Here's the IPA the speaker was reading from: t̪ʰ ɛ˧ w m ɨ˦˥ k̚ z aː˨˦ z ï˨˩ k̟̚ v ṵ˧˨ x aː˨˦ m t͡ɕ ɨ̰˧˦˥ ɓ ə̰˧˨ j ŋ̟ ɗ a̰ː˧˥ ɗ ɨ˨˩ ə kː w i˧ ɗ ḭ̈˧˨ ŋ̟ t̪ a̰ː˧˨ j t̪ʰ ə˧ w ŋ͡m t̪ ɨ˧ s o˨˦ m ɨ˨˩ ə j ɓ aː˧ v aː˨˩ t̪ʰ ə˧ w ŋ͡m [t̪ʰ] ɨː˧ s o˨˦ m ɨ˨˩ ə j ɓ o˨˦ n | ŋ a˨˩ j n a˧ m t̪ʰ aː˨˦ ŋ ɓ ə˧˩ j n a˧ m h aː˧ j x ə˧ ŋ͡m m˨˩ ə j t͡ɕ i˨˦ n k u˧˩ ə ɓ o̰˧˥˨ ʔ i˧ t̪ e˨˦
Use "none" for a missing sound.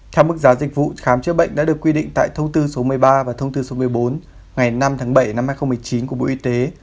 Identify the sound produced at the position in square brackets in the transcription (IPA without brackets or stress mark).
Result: t̪